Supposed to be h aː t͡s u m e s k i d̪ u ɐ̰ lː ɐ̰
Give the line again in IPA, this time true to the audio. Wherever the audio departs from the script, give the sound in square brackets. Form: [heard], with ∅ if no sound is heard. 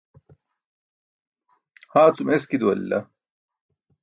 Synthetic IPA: h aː t͡s u m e s k i d̪ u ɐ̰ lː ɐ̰